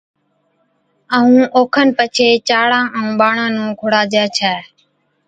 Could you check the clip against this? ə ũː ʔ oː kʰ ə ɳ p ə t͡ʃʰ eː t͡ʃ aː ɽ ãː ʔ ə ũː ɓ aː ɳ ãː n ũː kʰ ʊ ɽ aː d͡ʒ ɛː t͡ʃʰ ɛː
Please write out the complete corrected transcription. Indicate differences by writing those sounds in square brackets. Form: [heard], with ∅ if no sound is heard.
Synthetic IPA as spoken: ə ũː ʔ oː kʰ ə [n] p ə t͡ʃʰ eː t͡ʃ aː ɽ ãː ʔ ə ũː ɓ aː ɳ ãː n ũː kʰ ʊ ɽ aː d͡ʒ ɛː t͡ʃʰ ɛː